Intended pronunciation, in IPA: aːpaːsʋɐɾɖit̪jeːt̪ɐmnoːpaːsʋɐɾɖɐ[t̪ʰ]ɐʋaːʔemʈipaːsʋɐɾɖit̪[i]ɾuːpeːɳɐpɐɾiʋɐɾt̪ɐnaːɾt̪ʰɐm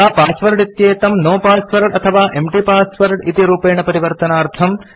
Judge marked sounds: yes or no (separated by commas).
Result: yes, yes